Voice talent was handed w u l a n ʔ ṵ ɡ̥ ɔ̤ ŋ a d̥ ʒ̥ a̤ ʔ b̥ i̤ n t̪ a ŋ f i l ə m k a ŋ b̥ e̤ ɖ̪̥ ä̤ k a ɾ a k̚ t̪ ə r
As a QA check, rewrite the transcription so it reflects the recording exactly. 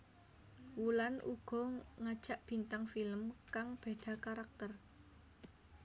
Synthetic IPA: w u l a n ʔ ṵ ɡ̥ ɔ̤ ŋ a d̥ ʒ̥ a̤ ʔ b̥ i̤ n t̪ a ŋ f i l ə m k a ŋ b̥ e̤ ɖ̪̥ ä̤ k a ɾ a k̚ t̪ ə r